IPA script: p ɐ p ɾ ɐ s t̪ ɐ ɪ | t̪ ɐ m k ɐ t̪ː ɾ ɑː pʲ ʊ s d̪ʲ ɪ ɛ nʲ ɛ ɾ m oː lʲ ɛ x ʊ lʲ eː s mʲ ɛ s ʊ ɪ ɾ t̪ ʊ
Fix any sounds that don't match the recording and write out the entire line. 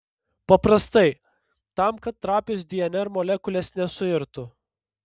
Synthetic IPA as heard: p ɐ p ɾ ɐ s t̪ ɐ ɪ | t̪ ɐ m k ɐ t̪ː ɾ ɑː pʲ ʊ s d̪ʲ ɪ ɛ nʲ ɛ ɾ m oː lʲ ɛ k ʊ lʲ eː s nʲ ɛ s ʊ ɪ ɾ t̪ ʊ